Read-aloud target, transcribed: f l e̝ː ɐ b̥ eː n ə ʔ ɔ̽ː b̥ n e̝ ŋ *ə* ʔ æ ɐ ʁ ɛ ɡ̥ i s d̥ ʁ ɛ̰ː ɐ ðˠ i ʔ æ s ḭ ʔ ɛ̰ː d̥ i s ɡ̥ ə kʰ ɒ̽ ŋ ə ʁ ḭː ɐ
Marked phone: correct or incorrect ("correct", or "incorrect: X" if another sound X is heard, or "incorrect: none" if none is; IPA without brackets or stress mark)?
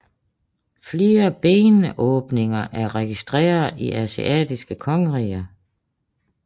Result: incorrect: ɐ